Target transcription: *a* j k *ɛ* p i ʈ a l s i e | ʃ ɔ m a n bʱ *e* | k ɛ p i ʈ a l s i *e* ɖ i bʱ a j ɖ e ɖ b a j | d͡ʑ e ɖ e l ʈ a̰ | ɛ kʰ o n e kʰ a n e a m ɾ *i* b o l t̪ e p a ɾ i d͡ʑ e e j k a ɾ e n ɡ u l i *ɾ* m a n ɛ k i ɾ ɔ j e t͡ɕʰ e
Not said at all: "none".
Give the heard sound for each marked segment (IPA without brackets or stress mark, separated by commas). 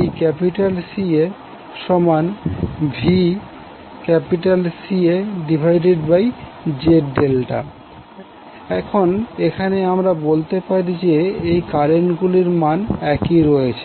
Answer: e, ɛ, i, e, a, ɾ